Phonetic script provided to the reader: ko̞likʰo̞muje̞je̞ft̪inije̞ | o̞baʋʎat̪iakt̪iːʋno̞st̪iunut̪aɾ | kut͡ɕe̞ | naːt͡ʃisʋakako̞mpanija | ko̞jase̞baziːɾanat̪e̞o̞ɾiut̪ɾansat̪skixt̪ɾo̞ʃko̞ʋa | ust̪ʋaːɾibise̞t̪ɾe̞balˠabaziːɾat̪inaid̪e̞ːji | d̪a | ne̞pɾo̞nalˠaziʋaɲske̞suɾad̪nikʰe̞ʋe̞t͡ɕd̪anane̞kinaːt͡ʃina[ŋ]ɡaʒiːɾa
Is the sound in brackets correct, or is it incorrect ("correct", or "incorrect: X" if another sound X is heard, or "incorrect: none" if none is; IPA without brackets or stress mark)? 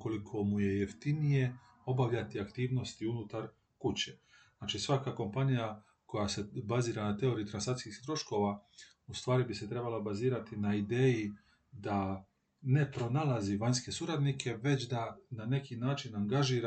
correct